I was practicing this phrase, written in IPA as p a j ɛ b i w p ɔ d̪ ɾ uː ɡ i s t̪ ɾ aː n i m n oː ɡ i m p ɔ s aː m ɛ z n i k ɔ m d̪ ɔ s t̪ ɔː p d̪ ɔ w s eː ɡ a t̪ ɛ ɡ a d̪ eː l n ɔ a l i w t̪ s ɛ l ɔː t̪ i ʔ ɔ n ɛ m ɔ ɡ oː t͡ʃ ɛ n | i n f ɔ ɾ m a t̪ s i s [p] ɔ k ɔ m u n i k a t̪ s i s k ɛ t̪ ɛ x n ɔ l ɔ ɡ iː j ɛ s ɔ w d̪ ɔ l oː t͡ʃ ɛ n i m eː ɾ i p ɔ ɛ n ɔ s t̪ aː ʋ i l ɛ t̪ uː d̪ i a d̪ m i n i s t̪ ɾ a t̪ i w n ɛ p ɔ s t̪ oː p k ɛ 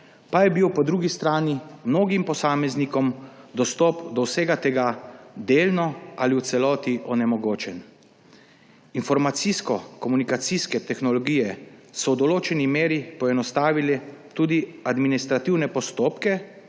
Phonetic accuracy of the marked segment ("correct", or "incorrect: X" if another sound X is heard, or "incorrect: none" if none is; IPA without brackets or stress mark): incorrect: k